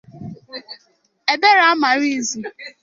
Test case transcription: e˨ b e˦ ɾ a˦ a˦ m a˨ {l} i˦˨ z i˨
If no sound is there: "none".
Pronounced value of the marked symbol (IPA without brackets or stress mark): ɾ